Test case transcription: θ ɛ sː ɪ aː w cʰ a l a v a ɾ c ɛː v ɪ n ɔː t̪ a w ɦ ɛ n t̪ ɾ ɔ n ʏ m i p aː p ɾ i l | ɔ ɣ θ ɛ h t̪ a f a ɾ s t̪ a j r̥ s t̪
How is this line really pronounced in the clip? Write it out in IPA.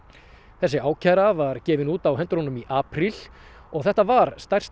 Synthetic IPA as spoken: θ ɛ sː ɪ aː w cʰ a ɾ a v a ɾ c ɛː v ɪ n uː t̪ a w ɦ ɛ n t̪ ɾ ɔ n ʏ m i ʔ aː p ɾ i l | ɔ ɣ θ ɛ h t̪ a v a ɾ s t̪ a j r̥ s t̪